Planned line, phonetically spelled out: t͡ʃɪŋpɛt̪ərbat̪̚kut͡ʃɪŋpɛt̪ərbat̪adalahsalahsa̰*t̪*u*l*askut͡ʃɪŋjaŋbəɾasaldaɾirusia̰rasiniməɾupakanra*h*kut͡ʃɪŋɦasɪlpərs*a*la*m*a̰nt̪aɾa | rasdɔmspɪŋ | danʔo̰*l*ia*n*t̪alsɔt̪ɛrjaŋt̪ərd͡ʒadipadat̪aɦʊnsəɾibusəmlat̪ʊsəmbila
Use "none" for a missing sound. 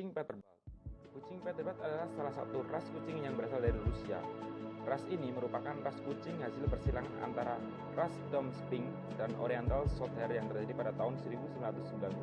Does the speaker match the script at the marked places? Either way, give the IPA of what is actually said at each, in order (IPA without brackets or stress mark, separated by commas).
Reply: t̪, r, s, i, ŋ, ɾ, n